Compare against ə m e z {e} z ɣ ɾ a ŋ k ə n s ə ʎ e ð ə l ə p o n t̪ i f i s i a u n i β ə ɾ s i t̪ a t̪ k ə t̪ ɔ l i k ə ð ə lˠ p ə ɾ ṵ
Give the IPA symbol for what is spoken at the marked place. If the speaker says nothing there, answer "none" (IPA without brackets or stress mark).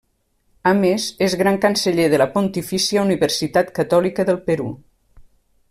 e